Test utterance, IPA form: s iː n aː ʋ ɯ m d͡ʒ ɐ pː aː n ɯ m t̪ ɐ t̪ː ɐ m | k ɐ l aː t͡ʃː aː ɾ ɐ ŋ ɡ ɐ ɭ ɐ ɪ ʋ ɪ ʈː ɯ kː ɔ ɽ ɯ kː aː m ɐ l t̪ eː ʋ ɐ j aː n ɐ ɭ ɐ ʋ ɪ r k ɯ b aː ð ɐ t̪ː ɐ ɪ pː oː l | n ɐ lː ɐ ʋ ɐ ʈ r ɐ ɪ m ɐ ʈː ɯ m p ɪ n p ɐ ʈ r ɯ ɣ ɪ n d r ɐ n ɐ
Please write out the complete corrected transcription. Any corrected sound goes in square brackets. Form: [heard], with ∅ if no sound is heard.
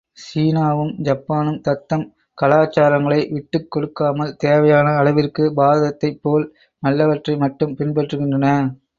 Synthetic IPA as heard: s iː n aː ʋ ɯ m d͡ʒ ɐ pː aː n ɯ m t̪ ɐ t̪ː ɐ m | k ɐ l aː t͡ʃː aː ɾ ɐ ŋ ɡ ɐ ɭ ɐ ɪ ʋ ɪ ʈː ɯ kː ɔ ɽ ɯ kː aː m ɐ l t̪ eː ʋ ɐ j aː n [ɐː] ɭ ɐ ʋ ɪ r k ɯ b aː ð ɐ t̪ː ɐ ɪ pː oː l | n ɐ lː ɐ ʋ ɐ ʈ r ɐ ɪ m ɐ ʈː ɯ m p ɪ n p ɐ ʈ r ɯ ɣ ɪ n d r ɐ n ɐ